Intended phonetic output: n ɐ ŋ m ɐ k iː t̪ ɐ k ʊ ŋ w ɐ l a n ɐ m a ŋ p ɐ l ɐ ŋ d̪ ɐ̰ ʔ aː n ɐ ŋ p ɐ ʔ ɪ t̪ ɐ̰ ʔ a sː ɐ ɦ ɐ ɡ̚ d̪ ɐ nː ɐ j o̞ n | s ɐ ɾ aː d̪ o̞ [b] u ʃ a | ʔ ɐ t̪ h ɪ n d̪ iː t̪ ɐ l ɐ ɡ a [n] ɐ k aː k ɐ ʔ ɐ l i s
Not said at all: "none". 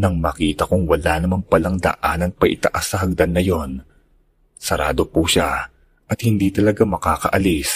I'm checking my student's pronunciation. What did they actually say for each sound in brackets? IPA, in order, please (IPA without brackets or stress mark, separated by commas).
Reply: p, m